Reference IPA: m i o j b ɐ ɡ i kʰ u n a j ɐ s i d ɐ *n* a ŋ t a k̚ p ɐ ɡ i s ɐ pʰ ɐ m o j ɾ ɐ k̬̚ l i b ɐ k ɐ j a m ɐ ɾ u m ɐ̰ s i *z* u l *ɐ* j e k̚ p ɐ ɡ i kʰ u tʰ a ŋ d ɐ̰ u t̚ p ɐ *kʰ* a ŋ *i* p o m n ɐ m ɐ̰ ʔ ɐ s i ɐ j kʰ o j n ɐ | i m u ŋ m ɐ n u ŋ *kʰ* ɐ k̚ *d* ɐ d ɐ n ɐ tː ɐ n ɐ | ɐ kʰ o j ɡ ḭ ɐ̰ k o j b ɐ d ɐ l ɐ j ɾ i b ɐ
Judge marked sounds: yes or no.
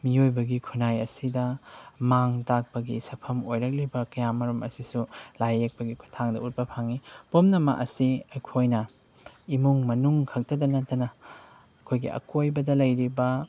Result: no, no, no, no, yes, yes, no

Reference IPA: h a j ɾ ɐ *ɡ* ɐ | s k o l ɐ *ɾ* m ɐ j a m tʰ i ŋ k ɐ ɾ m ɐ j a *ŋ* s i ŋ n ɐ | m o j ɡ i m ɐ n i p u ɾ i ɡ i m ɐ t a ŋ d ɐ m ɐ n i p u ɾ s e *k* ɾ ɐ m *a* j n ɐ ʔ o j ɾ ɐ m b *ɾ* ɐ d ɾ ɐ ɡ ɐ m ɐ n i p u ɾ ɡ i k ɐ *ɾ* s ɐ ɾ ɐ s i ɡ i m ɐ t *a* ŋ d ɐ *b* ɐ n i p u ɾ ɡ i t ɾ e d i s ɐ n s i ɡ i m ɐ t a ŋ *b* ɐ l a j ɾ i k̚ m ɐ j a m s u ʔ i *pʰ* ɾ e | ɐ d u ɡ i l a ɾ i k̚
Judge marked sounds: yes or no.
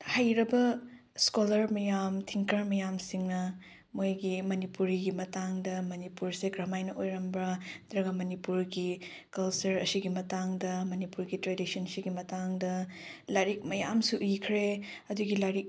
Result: no, yes, no, no, yes, yes, no, yes, no, no, no

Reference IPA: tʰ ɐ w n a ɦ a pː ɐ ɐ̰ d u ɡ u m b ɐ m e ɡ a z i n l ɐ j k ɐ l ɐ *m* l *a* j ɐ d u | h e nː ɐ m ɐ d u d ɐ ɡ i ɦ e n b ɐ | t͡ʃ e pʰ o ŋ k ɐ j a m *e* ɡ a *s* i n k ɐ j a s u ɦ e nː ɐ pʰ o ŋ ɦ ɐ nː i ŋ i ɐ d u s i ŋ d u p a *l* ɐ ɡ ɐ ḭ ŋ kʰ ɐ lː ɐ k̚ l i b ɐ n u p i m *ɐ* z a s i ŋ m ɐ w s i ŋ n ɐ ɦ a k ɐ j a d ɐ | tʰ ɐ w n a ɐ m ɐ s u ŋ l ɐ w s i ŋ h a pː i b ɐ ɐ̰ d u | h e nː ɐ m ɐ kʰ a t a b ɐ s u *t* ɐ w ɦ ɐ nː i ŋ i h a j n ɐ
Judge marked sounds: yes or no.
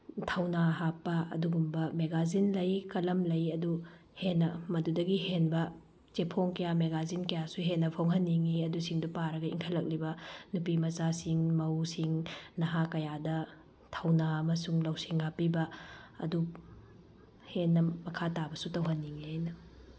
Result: yes, no, yes, no, no, yes, yes

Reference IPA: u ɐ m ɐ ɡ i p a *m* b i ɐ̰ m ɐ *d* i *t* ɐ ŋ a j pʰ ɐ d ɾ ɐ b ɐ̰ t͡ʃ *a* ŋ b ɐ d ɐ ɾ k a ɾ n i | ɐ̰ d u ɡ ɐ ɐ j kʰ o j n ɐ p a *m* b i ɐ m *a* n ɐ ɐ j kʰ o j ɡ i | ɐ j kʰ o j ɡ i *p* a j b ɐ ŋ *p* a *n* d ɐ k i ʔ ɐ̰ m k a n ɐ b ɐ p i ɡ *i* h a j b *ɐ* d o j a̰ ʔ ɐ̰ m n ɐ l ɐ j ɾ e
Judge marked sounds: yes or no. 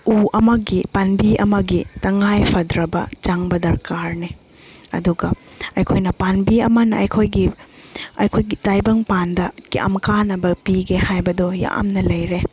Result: no, no, yes, yes, no, no, no, yes, yes, no, yes

